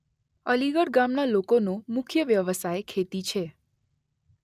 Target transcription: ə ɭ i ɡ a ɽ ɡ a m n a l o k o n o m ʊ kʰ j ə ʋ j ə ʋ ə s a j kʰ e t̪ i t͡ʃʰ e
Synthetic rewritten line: ə l i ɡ ə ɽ ɡ a m n a l o k o n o m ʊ kʰ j ə ʋ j ə ʋ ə s a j kʰ e t̪ i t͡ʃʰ e